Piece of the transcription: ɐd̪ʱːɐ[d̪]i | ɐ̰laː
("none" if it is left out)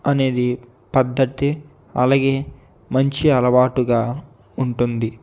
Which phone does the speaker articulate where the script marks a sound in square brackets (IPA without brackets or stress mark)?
t̪